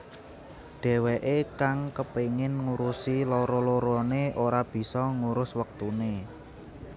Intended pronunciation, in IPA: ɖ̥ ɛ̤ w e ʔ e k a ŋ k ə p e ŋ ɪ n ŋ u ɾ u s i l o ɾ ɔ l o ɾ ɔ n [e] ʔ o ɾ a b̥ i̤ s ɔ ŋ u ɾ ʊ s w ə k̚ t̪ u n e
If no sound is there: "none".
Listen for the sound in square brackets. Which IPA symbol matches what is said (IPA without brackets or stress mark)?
e